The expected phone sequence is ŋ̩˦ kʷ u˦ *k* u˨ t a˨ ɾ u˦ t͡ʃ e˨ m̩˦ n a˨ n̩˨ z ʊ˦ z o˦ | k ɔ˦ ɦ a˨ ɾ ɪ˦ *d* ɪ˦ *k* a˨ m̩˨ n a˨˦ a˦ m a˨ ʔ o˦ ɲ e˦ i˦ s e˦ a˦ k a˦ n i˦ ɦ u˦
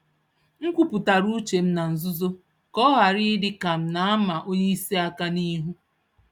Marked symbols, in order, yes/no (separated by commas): no, yes, yes